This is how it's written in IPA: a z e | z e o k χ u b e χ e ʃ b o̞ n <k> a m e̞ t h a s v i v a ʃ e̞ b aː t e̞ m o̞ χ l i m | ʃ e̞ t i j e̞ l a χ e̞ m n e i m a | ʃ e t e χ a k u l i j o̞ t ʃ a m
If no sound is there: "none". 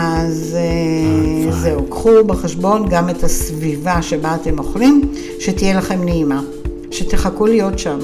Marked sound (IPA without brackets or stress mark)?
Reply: ɡ